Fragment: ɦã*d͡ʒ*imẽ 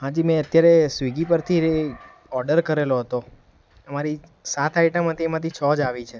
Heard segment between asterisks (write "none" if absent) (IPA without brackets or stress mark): d͡ʒ